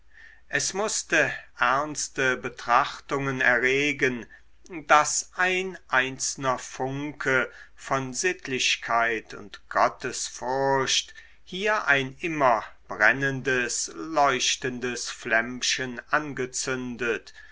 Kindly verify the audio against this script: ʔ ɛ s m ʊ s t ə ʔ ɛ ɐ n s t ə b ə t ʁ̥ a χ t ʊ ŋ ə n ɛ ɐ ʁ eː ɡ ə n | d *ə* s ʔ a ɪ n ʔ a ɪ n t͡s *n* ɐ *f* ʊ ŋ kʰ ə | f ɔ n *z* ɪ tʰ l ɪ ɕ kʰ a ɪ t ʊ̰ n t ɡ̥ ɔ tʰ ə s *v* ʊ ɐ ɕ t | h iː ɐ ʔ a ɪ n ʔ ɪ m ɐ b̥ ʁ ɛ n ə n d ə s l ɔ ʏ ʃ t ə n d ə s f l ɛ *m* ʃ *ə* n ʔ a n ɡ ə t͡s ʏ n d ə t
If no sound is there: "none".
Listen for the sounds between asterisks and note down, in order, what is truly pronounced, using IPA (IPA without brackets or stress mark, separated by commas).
a, n, f, z, f, m, ə